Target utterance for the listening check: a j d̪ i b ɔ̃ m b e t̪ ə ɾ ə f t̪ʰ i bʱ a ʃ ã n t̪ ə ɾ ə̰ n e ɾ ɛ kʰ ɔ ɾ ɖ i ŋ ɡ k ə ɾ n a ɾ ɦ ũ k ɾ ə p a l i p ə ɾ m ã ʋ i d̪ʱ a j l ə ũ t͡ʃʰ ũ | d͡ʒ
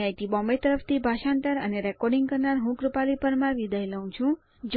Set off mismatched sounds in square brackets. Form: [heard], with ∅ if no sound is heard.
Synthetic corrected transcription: a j [t̪] i b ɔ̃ m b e t̪ ə ɾ ə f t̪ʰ i bʱ a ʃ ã n t̪ ə ɾ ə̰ n e ɾ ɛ [k] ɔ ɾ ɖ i ŋ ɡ k ə ɾ n a ɾ ɦ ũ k ɾ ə p a l i p ə ɾ m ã ʋ i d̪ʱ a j l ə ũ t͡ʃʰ ũ | d͡ʒ